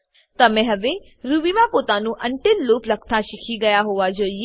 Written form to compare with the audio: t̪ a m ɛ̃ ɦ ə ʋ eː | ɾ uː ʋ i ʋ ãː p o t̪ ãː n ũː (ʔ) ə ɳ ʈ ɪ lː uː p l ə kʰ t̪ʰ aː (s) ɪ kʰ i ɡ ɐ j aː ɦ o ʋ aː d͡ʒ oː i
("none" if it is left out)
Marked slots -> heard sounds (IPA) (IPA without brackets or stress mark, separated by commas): ʔ, ʃ